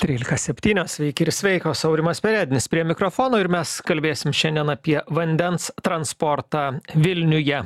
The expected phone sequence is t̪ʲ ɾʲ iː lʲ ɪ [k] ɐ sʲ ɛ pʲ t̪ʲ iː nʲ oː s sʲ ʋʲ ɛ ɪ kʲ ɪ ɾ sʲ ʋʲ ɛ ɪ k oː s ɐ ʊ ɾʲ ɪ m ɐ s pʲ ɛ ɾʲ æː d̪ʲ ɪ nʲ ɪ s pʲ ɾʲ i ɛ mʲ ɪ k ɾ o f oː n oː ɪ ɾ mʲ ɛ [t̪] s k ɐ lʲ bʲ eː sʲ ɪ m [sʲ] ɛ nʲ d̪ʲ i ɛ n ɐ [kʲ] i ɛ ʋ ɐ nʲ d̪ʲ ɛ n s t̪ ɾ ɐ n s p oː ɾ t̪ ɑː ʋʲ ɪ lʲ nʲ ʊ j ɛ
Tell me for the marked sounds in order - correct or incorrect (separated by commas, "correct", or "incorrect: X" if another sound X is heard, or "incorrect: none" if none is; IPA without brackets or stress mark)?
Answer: correct, incorrect: none, incorrect: ʃʲ, incorrect: pʲ